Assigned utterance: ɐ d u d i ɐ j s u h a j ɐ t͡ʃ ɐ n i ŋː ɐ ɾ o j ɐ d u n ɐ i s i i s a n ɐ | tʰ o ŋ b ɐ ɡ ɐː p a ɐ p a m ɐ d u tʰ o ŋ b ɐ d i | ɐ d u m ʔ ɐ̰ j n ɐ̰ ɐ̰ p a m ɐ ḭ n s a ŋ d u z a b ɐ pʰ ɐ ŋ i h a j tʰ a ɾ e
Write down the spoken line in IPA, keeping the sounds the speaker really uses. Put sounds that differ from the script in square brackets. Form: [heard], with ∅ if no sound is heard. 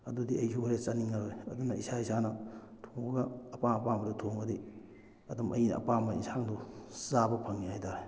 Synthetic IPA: ɐ d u d i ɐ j s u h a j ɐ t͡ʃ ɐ n i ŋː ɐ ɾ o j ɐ d u n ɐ i s [a] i s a n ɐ | tʰ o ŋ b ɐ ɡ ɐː p a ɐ p a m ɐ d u tʰ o ŋ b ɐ d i | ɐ d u m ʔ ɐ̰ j n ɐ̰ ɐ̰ p a m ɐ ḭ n s a ŋ d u z a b ɐ pʰ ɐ ŋ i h a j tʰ a ɾ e

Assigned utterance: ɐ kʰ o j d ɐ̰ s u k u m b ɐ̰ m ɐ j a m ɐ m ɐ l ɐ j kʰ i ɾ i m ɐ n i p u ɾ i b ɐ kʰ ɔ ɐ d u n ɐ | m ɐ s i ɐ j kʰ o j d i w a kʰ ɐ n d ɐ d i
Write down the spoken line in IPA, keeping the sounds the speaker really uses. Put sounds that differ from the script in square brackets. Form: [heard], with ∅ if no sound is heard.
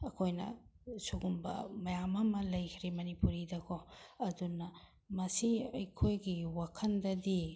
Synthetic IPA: ɐ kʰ o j [n] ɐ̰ s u [ɡ] u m b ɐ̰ m ɐ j a m ɐ m ɐ l ɐ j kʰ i ɾ i m ɐ n i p u ɾ i [d] ɐ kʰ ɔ ɐ d u n ɐ | m ɐ s i ɐ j kʰ o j [ɡ] i w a kʰ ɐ n d ɐ d i

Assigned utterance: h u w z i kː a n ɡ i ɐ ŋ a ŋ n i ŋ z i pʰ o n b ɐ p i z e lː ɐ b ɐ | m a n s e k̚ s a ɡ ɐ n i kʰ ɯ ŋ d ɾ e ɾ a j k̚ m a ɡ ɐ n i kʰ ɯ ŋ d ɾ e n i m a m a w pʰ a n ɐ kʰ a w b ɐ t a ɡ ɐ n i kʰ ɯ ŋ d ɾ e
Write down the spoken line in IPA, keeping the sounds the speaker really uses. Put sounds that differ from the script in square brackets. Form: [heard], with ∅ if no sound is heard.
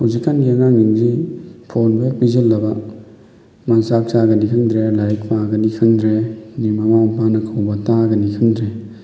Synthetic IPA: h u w z i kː a n ɡ i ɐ ŋ a ŋ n i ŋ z i pʰ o n b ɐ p i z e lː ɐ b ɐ | m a n s [a] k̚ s a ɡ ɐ n i kʰ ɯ ŋ d ɾ e [l] a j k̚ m a ɡ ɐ n i kʰ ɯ ŋ d ɾ e n i m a m a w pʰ a n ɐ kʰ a w b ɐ t a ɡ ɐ n i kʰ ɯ ŋ d ɾ e

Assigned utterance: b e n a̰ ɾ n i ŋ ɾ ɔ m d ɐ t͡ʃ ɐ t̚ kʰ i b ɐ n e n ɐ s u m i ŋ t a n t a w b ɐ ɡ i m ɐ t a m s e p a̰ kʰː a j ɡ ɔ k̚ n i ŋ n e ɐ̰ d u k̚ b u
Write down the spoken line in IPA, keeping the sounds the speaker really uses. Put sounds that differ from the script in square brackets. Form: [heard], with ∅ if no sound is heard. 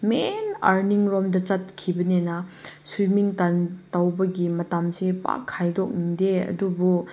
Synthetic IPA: [m] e n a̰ ɾ n i ŋ ɾ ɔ m d ɐ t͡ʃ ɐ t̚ kʰ i b ɐ n e n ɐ s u m i ŋ t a n t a w b ɐ ɡ i m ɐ t a m s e p a̰ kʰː a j [d] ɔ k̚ n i ŋ [d] e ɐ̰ d u [∅] b u

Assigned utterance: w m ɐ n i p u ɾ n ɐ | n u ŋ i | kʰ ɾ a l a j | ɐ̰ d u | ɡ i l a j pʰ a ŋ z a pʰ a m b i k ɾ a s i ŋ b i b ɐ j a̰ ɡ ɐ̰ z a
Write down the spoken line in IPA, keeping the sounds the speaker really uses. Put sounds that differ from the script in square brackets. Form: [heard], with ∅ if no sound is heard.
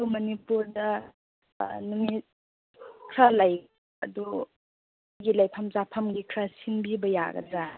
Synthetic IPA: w m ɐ n i p u ɾ [d] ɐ | n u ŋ i | kʰ ɾ a l a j | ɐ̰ d u | ɡ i l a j pʰ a [m] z a pʰ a m [ɡ] i [kʰ] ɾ a s i ŋ b i b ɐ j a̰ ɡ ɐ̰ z a

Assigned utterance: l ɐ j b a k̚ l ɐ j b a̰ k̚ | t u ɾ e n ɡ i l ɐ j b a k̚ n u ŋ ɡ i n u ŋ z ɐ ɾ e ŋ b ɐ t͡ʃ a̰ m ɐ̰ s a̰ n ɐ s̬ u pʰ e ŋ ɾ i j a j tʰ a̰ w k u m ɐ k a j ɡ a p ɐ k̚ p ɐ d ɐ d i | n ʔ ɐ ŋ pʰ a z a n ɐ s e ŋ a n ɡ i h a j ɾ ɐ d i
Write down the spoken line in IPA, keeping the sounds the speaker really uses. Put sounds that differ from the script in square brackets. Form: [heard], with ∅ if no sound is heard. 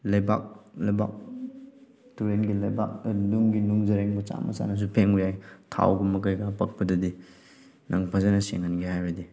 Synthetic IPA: l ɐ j b a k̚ l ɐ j b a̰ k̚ | t u ɾ e n ɡ i l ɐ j b a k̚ n u ŋ ɡ i n u ŋ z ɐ ɾ e ŋ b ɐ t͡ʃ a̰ m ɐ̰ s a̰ n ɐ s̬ u pʰ e ŋ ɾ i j a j tʰ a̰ w [ɡ] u m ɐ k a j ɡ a p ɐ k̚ p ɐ d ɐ d i | n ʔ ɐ ŋ pʰ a z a n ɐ s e ŋ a n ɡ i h a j ɾ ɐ d i

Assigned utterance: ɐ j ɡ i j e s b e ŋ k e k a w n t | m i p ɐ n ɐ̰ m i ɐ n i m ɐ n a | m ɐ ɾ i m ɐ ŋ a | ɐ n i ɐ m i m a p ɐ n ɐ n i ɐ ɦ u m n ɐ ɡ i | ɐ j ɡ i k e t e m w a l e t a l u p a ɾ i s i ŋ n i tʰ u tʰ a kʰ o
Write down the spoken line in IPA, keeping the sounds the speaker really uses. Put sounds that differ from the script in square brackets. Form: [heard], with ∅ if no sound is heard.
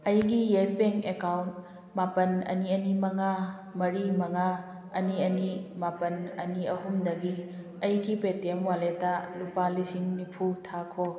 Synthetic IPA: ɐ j ɡ i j e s b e ŋ k e k a w n t | m [a] p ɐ n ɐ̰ [n] i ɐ n i m ɐ [ŋ] a | m ɐ ɾ i m ɐ ŋ a | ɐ n i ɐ [n] i m a p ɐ n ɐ n i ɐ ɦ u m [d] ɐ ɡ i | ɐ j ɡ i [p] e t e m w a l e t a l u p a [l] i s i ŋ n i [pʰ] u tʰ a kʰ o

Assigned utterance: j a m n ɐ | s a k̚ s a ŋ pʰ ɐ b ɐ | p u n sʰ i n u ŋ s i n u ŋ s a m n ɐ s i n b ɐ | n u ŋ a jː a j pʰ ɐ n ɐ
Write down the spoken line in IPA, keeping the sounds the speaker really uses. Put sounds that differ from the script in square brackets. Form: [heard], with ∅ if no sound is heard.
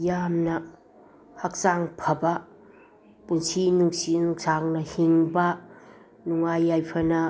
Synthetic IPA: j a m n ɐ | [h] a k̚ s a ŋ pʰ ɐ b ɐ | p u n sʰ i n u ŋ s i n u ŋ s a [ŋ] n ɐ [h] i [ŋ] b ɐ | n u ŋ a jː a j pʰ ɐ n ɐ

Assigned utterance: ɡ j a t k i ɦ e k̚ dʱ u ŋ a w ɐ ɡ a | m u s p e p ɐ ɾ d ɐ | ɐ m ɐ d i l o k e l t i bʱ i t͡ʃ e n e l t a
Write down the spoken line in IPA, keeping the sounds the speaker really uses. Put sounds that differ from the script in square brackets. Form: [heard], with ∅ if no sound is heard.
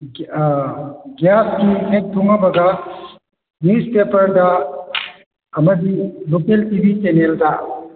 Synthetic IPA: ɡ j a [s] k i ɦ e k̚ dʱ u ŋ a [b] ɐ ɡ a | [n] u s p e p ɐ ɾ d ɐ | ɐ m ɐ d i l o k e l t i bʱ i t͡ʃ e n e l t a

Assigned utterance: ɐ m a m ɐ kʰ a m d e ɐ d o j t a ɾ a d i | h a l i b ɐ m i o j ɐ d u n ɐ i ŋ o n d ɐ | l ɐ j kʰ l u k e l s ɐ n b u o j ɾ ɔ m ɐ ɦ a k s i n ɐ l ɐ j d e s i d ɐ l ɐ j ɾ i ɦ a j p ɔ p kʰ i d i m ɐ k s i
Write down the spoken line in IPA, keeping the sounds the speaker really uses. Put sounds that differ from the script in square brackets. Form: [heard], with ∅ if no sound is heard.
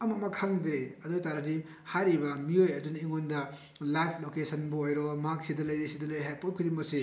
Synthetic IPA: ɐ m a m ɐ kʰ a [ŋ] d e ɐ d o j t a ɾ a d i | h a [ɾ] i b ɐ m i o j ɐ d u n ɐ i ŋ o n d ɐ | l [a] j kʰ l [o] k e [∅] s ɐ n b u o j ɾ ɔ m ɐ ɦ a k s i [d] ɐ l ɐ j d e s i d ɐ l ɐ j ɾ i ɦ a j p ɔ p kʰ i d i m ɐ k s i

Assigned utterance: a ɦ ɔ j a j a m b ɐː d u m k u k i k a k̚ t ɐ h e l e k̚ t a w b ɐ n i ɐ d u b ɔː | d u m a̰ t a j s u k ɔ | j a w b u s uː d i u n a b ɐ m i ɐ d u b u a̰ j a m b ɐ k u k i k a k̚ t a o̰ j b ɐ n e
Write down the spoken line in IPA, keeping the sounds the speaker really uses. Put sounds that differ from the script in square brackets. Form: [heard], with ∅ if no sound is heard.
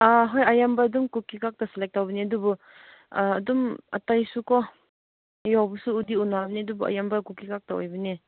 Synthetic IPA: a ɦ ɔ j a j a m b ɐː d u m k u k i k a k̚ t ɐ [s] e l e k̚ t a w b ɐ n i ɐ d u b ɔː | d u m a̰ t a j s u k ɔ | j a w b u s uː d i u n a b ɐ [n] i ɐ d u b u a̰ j a m b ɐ k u k i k a k̚ t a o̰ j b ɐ n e

